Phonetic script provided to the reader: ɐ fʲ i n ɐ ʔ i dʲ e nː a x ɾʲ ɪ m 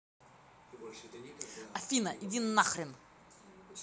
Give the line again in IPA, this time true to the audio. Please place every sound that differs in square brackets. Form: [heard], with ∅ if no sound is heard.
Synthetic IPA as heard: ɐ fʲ i n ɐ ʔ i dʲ [i] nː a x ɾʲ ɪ [n]